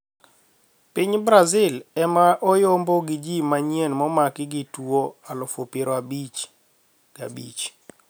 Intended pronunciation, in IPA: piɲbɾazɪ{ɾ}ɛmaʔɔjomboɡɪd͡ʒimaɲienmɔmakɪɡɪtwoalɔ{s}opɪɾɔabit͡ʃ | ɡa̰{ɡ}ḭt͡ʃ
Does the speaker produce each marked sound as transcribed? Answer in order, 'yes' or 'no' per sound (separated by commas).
no, no, no